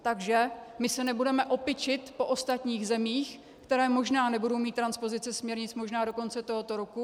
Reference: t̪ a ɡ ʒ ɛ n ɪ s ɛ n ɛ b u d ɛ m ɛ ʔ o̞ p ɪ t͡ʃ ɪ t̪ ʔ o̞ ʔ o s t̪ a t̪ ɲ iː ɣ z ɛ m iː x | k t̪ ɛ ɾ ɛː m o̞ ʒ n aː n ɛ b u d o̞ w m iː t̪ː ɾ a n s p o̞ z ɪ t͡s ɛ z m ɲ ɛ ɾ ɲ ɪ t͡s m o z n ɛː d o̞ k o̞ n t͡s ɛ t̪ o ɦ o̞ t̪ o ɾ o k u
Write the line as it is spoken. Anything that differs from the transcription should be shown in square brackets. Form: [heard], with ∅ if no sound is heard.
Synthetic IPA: t̪ a ɡ ʒ ɛ [m] ɪ s ɛ n ɛ b u d ɛ m ɛ ʔ o̞ p ɪ t͡ʃ ɪ t̪ [p] o̞ ʔ o s t̪ a t̪ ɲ iː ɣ z ɛ m iː x | k t̪ ɛ ɾ ɛː m o̞ ʒ n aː n ɛ b u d o̞ w m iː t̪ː ɾ a n s p o̞ z ɪ t͡s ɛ [s] m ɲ ɛ ɾ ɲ ɪ t͡s m o [ʒ] n [aː] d o̞ k o̞ n t͡s ɛ t̪ o ɦ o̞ t̪ o ɾ o k u